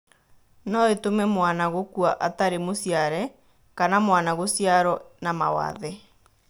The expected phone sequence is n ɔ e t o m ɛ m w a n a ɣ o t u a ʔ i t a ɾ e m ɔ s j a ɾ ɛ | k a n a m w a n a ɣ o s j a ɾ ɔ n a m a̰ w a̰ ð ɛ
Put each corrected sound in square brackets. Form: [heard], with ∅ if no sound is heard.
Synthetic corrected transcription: n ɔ e t o m ɛ m w a n a ɣ o [k] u a ʔ [a] t a ɾ e m [o] s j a ɾ ɛ | k a n a m w a n a ɣ o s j a ɾ ɔ n a m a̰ w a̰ ð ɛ